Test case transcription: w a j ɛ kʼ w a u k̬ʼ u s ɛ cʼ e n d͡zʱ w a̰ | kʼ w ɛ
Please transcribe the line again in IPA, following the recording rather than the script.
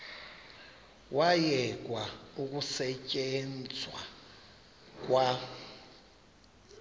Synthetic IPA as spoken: w a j ɛ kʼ w a u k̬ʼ u s ɛ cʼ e n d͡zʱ w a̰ | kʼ w a